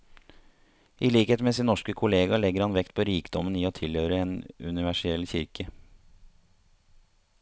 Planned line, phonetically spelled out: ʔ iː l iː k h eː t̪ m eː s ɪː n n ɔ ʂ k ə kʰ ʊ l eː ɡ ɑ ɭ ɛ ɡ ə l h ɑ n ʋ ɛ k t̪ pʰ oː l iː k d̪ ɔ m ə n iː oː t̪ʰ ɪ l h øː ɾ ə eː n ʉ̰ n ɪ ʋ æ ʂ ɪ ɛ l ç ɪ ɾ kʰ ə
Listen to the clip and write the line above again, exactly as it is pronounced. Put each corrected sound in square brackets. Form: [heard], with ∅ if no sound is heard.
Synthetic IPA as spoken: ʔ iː l iː k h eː t̪ m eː s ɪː n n ɔ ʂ k ə kʰ ʊ l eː ɡ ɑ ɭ ɛ ɡ ə [ɾ] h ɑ n ʋ ɛ k t̪ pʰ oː [ɾ] iː k d̪ ɔ m ə n iː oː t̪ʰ ɪ l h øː ɾ ə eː n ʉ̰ n ɪ ʋ æ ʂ ɪ ɛ l ç ɪ ɾ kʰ ə

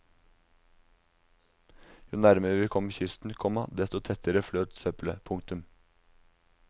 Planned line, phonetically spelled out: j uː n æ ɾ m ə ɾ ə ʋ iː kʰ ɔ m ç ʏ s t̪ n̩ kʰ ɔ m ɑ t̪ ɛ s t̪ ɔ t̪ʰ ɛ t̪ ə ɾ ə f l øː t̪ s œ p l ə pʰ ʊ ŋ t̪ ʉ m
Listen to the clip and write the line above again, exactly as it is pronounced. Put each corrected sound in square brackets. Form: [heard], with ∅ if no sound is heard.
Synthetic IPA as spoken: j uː n æ ɾ m ə ɾ ə ʋ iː kʰ ɔ m ç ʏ s t̪ n̩ kʰ ɔ m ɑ [d̪] ɛ s t̪ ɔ t̪ʰ ɛ t̪ ə ɾ ə f l øː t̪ s œ p l ə pʰ ʊ ŋ t̪ ʉ m

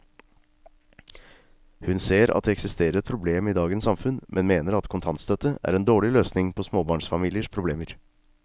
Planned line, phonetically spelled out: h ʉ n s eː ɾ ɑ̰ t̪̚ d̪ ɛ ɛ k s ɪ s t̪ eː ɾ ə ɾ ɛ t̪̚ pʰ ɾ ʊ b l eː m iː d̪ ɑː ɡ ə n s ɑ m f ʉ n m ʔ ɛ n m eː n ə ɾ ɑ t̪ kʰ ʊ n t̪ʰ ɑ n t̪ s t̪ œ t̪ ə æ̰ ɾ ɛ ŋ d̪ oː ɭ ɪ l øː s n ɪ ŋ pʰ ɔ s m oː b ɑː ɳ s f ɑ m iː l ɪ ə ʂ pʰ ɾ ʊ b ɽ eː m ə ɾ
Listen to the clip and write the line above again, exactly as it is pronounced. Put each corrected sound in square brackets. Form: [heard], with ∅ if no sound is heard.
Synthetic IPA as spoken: h ʉ n s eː ɾ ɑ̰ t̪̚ d̪ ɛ ɛ k s ɪ s t̪ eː ɾ ə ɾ ɛ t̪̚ pʰ ɾ ʊ b l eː m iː d̪ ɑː ɡ ə n s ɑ m f ʉ n m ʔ ɛ n m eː n ə ɾ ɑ t̪ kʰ ʊ n t̪ʰ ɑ n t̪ s t̪ œ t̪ ə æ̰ ɾ ɛ [n] d̪ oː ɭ ɪ l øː s n ɪ ŋ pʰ ɔ s m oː b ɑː ɳ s f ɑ m iː l ɪ ə ʂ pʰ ɾ ʊ b [l] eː m ə ɾ

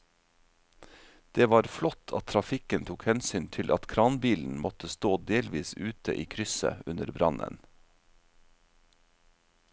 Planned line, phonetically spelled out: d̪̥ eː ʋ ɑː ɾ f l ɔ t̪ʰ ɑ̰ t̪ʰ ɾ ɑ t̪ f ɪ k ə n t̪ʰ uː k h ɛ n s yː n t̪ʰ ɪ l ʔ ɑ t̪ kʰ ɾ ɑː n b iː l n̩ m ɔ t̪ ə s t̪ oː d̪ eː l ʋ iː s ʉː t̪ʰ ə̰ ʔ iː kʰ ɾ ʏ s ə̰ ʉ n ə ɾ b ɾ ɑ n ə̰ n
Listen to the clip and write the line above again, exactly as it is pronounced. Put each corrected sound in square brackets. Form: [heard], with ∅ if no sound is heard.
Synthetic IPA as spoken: d̪̥ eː ʋ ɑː ɾ f l ɔ t̪ʰ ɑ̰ t̪ʰ ɾ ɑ [∅] f ɪ k ə n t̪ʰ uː k h ɛ n s yː n t̪ʰ ɪ l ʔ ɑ t̪ kʰ ɾ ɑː n b iː l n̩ m ɔ t̪ ə s t̪ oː d̪ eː l ʋ iː s ʉː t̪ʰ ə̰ ʔ iː kʰ ɾ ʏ s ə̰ ʉ n ə ɾ b ɾ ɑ n ə̰ n

